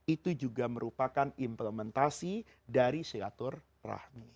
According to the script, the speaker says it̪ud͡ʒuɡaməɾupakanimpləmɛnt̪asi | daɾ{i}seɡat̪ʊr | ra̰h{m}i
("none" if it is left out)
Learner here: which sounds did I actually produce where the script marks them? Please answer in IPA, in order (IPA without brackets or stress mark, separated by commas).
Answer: i, m